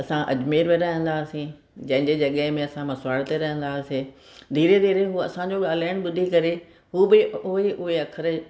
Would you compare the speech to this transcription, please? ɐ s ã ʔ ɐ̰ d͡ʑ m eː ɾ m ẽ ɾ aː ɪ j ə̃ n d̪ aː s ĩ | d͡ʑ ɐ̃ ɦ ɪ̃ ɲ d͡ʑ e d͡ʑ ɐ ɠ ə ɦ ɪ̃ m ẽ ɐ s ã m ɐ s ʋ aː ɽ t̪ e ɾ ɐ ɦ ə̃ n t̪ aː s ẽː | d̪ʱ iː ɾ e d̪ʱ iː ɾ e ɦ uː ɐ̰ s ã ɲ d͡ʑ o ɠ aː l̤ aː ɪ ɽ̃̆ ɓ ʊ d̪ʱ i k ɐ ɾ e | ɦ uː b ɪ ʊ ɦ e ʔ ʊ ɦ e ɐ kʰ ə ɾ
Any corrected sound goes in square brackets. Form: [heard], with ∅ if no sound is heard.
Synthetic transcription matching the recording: ɐ s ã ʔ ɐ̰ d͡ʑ m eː ɾ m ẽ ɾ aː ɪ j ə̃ n d̪ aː s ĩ | d͡ʑ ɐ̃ ɦ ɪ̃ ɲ d͡ʑ e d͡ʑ ɐ ɠ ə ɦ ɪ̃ m ẽ ɐ s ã m ɐ s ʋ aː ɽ t̪ e ɾ ɐ ɦ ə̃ n [d̪] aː s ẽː | d̪ʱ iː ɾ e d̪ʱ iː ɾ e ɦ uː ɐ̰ s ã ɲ d͡ʑ o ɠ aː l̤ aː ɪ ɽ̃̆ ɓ ʊ d̪ʱ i k ɐ ɾ e | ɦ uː b ɪ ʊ ɦ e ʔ ʊ ɦ e ɐ kʰ ə ɾ